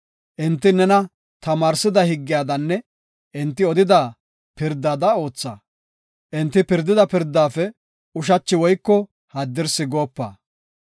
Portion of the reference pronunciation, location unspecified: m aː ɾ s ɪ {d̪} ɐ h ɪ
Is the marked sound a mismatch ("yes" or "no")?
no